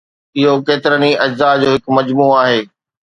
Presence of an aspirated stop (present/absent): absent